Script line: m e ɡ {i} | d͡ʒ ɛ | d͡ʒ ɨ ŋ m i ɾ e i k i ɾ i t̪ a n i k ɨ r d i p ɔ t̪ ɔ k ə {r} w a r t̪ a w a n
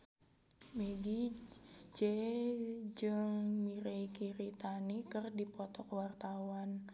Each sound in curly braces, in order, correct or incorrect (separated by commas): correct, incorrect